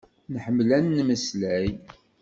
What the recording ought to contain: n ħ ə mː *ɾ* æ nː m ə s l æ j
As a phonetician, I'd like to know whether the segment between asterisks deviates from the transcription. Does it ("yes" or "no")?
yes